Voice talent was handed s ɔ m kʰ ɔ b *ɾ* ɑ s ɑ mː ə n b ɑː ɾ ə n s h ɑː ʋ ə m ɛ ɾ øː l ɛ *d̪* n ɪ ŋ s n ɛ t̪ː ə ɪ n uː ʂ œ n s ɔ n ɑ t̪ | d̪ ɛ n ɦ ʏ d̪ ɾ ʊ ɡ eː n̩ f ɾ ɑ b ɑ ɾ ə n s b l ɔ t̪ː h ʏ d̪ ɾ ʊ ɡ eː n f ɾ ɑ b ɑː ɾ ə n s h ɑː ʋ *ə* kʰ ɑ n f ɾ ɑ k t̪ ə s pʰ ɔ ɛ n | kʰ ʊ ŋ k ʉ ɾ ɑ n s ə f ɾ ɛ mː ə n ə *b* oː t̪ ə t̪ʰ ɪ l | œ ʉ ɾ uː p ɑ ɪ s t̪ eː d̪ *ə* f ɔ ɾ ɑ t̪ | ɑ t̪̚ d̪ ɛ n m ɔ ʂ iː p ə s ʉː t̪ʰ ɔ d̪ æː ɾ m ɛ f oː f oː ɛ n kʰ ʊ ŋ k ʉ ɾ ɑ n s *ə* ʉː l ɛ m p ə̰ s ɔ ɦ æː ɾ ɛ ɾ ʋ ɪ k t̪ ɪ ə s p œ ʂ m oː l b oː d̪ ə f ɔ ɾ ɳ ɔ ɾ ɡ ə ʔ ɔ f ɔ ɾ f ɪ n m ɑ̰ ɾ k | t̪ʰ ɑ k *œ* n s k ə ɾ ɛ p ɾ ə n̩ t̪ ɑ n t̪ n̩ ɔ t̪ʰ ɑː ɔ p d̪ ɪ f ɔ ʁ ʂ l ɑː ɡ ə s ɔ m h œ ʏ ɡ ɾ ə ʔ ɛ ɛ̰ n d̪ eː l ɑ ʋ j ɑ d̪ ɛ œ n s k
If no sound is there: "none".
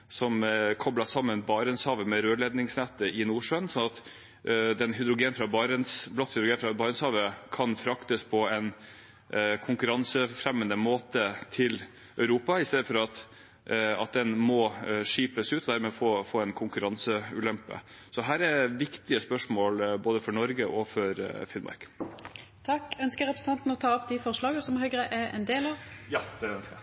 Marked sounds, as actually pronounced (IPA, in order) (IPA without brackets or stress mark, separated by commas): l, d̪, ə, m, ə, ə, œ